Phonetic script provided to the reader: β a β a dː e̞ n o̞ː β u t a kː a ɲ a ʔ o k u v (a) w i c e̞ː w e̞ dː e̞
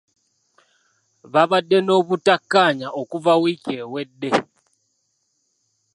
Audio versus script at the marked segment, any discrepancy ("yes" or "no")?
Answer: no